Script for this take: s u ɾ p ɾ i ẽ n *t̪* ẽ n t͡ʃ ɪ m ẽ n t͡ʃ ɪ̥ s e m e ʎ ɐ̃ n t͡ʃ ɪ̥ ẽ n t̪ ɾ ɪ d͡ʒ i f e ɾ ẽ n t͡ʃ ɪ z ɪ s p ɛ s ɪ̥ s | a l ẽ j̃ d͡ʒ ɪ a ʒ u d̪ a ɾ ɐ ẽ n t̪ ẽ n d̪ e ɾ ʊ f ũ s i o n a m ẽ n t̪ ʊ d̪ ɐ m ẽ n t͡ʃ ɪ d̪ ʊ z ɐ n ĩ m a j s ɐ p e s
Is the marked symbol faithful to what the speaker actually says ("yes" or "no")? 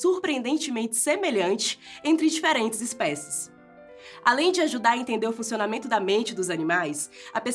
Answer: no